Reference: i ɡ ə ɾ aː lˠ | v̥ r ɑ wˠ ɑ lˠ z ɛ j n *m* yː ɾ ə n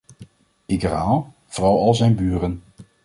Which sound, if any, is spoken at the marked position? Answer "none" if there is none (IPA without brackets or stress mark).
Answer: b